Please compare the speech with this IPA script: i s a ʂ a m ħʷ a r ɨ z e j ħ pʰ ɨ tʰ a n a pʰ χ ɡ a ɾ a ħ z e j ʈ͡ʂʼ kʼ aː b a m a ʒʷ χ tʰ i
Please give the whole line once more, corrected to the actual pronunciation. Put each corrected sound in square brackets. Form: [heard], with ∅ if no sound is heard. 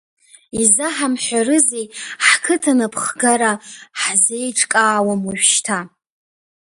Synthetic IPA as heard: i [z] a [ħ] a m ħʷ a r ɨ z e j ħ [kʰ] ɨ tʰ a n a pʰ χ ɡ a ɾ a ħ z e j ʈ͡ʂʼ kʼ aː [w] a m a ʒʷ [ʃ] tʰ [a]